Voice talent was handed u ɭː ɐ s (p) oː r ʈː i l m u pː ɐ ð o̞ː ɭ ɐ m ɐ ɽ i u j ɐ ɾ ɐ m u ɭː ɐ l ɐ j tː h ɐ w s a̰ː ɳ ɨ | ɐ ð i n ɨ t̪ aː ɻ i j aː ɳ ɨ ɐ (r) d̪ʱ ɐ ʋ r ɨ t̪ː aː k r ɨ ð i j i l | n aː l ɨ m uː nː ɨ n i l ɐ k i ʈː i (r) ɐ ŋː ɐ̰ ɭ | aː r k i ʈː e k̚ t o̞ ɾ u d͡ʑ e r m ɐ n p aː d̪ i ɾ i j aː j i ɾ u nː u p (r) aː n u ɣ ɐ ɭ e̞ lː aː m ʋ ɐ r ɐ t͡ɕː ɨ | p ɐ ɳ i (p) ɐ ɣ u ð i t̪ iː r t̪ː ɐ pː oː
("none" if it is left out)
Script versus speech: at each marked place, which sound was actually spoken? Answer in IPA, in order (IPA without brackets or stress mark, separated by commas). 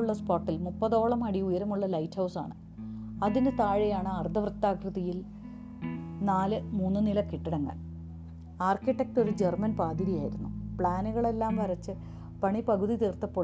p, r, ɽ, ɭ, p